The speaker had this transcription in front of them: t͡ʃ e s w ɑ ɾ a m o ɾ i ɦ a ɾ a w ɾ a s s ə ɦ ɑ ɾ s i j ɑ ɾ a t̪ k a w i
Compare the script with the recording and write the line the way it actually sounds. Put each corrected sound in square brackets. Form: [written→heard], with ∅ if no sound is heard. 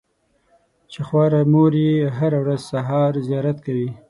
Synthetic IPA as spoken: t͡ʃ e [s→x] w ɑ ɾ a m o ɾ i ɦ a ɾ a w ɾ a [s→z] s [ə→a] ɦ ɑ ɾ [s→z] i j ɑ ɾ a t̪ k a w i